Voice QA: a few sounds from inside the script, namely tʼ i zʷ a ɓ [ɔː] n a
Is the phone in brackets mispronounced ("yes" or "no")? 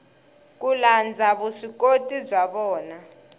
no